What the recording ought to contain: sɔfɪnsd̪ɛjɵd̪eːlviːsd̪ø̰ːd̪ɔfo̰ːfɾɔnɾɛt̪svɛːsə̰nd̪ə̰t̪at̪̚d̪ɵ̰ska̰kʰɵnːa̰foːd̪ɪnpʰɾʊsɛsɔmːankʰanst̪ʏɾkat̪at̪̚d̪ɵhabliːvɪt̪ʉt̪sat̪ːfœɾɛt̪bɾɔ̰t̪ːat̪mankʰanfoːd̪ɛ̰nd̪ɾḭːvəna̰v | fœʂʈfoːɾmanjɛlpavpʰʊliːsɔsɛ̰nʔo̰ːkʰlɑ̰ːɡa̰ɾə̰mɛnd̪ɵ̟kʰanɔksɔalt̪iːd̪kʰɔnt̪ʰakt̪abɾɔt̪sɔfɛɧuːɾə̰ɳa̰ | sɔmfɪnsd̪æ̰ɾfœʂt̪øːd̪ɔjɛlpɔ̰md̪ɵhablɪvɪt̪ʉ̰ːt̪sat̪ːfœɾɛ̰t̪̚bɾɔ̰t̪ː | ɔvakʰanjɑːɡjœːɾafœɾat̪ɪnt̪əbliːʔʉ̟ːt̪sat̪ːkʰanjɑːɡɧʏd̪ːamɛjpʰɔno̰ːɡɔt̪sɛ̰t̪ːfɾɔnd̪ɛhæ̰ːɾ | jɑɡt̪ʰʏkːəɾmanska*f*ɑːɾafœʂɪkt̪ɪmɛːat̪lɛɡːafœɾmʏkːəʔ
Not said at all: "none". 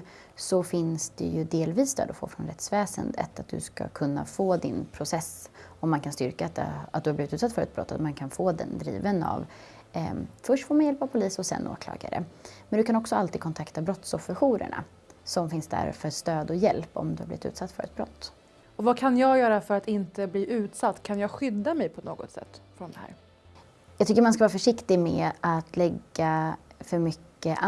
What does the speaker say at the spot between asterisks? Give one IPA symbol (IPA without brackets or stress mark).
v